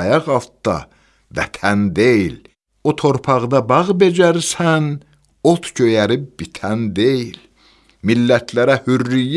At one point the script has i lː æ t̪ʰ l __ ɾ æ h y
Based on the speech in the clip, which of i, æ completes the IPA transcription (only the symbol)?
æ